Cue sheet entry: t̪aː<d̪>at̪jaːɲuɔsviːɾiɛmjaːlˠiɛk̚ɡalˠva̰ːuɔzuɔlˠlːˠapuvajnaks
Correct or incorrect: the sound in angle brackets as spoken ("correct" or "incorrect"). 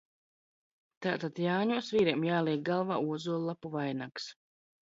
incorrect